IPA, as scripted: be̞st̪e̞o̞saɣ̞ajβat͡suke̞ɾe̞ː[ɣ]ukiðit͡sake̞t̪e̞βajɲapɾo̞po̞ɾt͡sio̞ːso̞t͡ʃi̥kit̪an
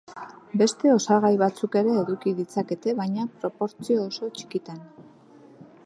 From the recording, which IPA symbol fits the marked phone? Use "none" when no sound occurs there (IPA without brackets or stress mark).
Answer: ð